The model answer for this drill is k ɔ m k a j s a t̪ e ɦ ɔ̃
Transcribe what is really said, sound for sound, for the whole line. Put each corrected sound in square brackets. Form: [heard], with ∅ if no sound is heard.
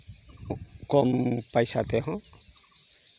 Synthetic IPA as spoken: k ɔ m [p] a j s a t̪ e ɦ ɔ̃